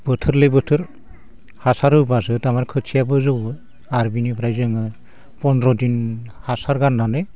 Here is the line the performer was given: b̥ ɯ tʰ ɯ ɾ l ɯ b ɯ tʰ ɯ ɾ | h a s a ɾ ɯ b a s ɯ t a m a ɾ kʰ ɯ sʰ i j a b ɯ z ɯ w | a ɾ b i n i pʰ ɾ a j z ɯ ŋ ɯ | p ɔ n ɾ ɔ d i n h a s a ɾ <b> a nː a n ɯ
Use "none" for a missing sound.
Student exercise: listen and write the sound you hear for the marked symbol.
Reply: ɡ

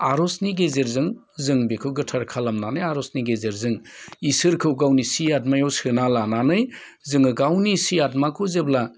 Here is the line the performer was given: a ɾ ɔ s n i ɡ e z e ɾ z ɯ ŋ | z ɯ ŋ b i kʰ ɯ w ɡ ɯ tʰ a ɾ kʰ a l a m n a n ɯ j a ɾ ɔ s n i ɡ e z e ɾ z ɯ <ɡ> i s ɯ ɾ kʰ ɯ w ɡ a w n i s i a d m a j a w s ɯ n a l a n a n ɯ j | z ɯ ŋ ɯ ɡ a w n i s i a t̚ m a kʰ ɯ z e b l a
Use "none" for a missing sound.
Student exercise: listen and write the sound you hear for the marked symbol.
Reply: ŋ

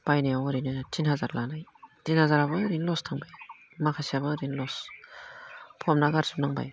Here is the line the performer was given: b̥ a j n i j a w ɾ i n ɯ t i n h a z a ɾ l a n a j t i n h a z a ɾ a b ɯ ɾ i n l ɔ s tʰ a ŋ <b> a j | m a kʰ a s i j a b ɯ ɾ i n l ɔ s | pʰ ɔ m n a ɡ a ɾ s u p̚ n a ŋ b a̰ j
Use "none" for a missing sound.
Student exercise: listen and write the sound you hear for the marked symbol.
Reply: b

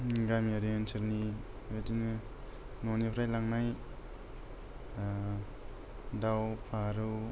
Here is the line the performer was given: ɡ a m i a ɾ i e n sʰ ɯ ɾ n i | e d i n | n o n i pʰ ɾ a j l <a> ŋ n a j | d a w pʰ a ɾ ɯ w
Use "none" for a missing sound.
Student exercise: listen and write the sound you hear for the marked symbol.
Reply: a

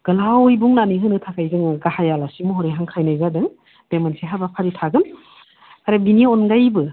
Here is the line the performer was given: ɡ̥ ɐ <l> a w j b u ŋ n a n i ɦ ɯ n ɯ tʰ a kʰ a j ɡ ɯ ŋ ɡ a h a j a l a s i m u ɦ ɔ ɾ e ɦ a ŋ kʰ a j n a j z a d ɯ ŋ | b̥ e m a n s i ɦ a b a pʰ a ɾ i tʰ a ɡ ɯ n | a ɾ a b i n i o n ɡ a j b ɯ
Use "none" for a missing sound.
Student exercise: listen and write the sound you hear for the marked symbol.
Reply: l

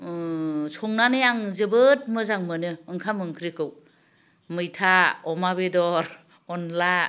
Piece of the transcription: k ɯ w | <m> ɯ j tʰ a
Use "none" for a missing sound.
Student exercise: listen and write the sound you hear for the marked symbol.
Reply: m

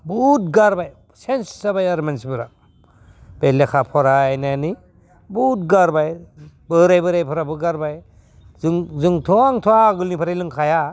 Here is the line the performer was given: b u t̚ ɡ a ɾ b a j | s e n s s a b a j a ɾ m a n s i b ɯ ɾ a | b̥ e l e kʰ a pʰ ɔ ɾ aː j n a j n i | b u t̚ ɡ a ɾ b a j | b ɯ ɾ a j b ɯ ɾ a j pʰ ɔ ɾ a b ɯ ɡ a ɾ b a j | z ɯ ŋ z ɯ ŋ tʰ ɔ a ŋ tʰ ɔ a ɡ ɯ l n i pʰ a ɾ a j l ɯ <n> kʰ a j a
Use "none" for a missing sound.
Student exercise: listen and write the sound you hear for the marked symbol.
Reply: ŋ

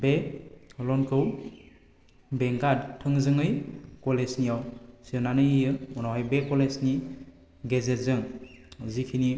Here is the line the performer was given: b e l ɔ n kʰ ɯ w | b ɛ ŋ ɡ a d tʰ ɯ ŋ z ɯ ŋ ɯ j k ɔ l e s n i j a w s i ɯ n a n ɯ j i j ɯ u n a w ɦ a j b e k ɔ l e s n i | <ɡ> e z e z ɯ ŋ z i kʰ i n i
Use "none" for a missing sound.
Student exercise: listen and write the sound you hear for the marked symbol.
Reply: ɡ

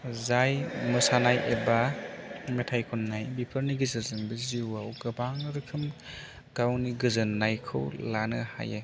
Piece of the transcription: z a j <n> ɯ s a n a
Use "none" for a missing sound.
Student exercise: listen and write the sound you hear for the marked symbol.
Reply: m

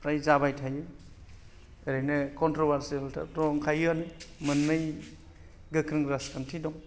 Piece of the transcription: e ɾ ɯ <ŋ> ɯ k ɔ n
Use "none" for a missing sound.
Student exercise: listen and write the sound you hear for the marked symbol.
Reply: n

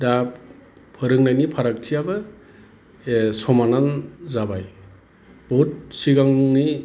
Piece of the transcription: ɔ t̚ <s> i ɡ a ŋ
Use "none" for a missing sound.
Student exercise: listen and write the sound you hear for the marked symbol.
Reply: s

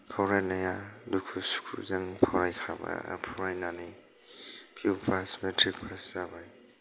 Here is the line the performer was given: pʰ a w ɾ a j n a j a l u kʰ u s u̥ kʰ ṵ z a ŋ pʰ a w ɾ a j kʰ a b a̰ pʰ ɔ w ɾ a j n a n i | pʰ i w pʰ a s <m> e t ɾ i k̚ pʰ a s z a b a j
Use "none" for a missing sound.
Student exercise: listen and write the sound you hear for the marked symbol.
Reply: m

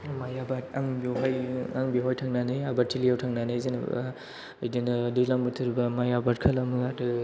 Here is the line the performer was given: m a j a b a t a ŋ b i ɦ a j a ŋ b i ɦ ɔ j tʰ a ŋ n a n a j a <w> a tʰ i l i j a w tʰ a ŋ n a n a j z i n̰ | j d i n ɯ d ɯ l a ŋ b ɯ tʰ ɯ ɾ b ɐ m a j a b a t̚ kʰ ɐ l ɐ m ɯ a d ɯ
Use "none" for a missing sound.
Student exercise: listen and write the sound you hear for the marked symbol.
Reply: b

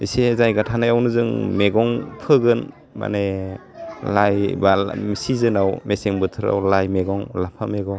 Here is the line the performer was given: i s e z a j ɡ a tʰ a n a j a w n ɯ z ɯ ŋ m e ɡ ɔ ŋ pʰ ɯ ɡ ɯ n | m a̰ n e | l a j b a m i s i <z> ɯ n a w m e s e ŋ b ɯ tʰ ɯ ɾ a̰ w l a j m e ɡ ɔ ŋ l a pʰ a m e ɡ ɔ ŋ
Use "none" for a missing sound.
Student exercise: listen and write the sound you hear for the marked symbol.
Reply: z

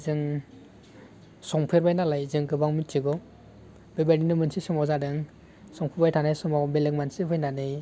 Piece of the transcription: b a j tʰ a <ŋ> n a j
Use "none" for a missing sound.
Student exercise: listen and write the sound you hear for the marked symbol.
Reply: none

